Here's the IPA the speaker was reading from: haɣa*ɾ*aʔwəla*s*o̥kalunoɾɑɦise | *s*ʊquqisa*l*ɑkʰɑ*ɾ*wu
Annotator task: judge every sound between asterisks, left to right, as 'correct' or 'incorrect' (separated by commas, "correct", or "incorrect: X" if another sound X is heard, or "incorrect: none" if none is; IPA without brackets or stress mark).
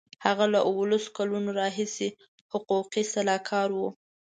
incorrect: l, correct, incorrect: h, correct, correct